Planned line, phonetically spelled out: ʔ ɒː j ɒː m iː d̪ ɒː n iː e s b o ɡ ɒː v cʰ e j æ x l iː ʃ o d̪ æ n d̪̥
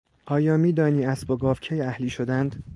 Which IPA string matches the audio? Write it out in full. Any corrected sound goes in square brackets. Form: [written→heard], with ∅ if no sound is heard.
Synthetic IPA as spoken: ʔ ɒː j ɒː m iː d̪ ɒː n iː [e→æ] s b o ɡ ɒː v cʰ e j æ [x→h] l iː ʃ o d̪ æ n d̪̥